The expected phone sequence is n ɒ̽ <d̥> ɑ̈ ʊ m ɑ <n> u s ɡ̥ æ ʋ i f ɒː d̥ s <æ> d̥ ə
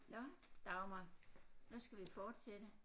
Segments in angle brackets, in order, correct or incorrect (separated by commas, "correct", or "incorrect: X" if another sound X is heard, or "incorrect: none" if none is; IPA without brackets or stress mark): correct, correct, incorrect: e